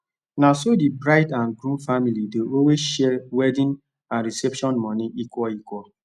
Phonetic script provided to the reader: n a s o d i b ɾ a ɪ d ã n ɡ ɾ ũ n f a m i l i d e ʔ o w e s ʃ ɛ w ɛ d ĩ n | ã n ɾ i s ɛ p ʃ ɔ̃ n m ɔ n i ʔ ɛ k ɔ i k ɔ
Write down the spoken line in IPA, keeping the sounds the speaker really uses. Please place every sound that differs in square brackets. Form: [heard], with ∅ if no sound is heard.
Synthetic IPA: n a s o d i b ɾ a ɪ d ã n ɡ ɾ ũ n f a m i l i d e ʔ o w e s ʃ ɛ w ɛ d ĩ n | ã n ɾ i s ɛ p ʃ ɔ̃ n m ɔ n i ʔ [i] k ɔ i k ɔ